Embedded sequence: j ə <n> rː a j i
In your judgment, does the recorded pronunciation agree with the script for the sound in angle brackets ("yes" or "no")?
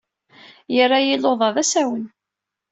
no